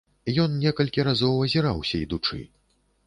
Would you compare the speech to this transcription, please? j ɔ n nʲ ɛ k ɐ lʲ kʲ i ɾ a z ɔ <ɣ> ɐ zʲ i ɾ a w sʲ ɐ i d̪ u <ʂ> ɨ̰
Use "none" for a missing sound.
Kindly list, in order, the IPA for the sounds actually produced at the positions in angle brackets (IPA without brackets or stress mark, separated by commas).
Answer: w, t͡ʂ